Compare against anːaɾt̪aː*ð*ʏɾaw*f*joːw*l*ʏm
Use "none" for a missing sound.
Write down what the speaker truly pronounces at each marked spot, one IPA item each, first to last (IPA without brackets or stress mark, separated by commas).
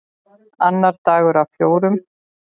ɣ, f, ɾ